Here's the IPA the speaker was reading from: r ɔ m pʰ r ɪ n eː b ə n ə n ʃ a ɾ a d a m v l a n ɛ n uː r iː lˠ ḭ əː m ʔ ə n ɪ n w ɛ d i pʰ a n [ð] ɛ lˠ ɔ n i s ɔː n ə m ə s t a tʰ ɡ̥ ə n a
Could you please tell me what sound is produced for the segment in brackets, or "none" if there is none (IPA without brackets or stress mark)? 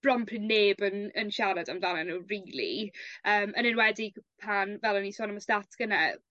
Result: v